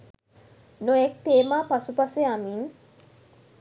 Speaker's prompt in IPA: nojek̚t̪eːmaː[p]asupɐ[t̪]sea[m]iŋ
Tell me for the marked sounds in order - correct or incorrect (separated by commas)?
correct, incorrect, correct